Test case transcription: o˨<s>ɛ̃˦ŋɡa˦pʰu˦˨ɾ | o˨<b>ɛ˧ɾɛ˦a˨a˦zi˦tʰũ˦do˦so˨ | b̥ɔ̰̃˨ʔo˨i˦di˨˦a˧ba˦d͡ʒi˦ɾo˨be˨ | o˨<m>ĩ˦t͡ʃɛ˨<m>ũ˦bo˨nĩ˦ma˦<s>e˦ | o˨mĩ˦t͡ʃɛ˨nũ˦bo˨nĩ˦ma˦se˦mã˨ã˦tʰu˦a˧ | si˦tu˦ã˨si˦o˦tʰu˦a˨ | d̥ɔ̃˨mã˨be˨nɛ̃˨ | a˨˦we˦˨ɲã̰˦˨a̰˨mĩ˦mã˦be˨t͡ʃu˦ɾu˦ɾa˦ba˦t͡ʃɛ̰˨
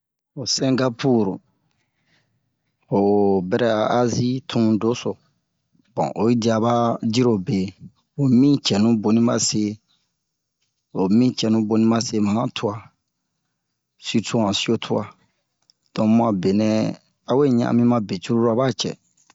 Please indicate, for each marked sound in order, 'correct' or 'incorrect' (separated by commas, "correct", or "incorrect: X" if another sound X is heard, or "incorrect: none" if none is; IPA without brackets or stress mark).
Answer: correct, correct, correct, incorrect: n, correct